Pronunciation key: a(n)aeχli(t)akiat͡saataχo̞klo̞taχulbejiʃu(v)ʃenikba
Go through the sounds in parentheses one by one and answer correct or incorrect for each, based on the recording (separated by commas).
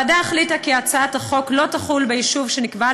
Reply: incorrect, correct, correct